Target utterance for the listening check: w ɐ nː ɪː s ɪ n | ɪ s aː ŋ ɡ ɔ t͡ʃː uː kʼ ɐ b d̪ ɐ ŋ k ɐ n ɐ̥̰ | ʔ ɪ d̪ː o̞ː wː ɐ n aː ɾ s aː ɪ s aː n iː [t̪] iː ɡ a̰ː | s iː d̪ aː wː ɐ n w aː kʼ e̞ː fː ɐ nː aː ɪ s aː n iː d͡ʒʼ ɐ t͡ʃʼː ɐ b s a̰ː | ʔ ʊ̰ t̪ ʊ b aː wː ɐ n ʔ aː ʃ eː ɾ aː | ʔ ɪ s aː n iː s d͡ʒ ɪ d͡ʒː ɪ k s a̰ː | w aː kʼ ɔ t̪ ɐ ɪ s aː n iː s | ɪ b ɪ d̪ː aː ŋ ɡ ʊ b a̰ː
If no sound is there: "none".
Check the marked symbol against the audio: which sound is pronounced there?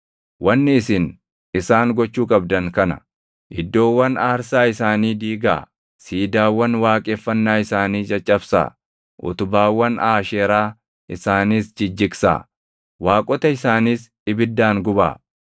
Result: d̪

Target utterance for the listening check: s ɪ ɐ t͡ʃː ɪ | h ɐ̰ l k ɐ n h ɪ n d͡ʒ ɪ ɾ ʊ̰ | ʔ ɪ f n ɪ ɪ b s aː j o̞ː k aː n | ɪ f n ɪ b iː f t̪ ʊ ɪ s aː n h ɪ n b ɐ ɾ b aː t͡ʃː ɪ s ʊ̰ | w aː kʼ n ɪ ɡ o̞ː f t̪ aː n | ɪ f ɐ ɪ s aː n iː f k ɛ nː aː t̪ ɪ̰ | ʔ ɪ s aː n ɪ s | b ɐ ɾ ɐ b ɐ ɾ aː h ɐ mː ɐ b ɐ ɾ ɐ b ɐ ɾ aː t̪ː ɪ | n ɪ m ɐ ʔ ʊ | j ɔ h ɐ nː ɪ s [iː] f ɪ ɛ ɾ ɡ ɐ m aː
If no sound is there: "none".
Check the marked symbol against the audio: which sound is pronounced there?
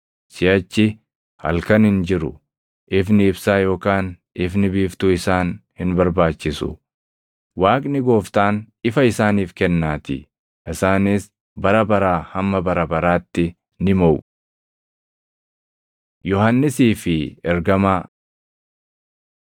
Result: iː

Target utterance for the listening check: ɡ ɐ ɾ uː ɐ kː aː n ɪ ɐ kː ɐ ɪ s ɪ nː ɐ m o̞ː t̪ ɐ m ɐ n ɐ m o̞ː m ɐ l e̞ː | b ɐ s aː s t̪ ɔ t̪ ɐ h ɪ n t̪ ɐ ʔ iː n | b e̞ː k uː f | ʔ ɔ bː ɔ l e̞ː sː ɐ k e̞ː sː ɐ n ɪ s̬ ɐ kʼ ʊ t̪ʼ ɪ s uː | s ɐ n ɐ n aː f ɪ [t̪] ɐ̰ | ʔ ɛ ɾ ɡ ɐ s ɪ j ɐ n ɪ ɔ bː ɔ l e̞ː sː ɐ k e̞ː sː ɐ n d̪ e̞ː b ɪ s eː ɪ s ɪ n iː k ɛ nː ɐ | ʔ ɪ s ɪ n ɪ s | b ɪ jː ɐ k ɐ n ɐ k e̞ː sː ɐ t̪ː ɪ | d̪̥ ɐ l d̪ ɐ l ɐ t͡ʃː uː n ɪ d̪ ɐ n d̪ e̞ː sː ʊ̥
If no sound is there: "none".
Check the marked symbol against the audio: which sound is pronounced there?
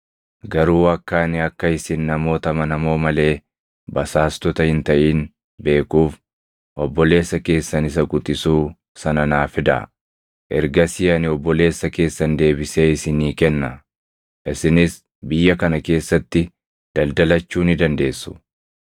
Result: d̪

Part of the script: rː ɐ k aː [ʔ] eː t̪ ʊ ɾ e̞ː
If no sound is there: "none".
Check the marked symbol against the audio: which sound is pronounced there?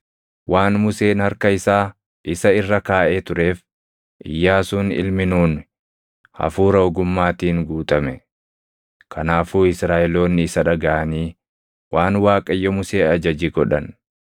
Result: ʔ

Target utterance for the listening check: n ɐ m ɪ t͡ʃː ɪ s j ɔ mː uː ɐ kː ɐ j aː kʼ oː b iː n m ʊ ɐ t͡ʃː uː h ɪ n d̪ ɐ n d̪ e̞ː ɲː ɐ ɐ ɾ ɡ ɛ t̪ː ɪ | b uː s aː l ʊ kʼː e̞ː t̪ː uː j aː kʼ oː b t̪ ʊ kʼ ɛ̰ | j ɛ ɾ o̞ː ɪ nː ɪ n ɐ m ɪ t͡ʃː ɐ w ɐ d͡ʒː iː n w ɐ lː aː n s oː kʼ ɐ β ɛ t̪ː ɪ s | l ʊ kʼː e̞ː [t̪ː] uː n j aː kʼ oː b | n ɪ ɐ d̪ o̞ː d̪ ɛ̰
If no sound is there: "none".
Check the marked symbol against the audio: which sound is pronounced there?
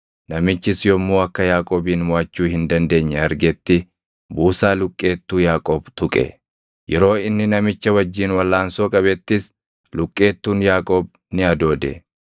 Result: t̪ː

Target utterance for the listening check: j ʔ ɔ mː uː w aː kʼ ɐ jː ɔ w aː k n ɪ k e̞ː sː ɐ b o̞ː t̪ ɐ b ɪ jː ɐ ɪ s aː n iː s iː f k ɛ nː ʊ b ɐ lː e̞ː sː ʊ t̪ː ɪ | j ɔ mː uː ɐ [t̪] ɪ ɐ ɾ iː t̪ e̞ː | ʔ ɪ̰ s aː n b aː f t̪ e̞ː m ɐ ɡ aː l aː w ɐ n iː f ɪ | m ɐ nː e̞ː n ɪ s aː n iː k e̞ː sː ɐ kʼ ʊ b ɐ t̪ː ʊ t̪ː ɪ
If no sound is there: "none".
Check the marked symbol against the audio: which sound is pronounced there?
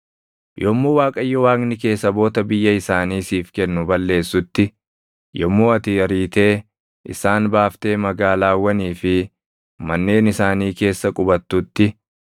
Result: t̪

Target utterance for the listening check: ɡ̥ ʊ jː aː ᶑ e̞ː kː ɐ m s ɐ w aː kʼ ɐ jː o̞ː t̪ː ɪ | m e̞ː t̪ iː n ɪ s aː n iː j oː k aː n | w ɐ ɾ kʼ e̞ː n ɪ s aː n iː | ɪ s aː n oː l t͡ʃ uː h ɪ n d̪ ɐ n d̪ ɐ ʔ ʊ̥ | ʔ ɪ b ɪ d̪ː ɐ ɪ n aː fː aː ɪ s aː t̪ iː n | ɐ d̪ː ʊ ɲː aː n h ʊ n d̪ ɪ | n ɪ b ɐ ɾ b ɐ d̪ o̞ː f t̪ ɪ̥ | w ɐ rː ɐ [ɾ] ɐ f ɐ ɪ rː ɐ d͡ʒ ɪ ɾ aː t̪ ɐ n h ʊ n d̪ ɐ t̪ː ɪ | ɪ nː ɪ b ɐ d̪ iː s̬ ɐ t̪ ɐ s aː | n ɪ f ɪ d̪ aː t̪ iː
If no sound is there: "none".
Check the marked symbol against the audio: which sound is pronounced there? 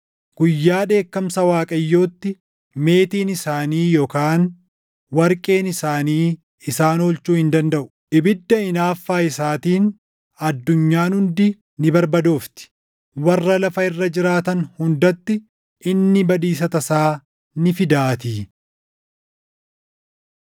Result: l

